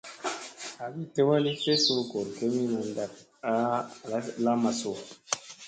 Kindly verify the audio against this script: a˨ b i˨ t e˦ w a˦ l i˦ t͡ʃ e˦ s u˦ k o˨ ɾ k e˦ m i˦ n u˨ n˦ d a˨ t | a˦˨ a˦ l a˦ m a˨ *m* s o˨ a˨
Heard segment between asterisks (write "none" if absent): none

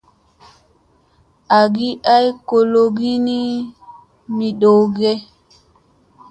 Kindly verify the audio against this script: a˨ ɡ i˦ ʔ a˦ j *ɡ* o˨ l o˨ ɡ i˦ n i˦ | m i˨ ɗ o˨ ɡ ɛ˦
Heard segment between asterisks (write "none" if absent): k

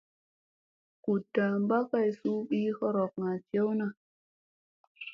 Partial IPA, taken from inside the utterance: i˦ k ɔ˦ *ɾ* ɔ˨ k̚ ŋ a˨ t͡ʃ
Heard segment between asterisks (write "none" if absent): ɾ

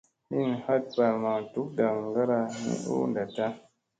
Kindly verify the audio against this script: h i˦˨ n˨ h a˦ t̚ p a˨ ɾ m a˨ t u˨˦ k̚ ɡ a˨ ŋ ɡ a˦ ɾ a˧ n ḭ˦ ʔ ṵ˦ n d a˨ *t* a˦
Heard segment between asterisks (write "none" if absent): t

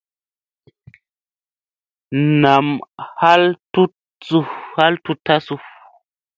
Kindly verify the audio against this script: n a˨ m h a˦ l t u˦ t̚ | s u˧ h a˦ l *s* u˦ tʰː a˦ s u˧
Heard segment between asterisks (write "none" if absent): t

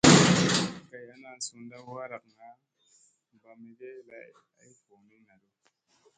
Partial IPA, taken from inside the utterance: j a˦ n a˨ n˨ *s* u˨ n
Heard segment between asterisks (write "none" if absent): s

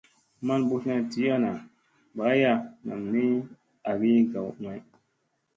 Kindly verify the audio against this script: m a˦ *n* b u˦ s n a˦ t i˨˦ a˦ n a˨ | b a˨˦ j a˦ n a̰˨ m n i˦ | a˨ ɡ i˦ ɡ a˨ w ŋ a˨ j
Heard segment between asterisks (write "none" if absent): n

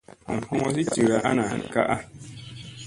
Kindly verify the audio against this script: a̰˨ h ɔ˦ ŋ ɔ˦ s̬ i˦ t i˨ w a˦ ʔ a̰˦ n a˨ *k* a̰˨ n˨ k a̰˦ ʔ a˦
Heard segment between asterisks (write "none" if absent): none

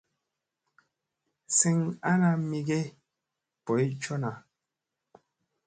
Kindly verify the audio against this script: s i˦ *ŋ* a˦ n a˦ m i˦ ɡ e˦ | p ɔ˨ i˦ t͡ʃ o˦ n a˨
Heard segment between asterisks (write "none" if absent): ŋ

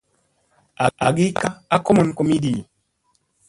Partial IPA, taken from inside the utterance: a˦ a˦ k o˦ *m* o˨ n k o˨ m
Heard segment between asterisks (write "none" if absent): m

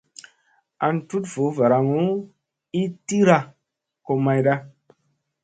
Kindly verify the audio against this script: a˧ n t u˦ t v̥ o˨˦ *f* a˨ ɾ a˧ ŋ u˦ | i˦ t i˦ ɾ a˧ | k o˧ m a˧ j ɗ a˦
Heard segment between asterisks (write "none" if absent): v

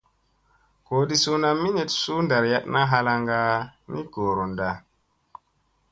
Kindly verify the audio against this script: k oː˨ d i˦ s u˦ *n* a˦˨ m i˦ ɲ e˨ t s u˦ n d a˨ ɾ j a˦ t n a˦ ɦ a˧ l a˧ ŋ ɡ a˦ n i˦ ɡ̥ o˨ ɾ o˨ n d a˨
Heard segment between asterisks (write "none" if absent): n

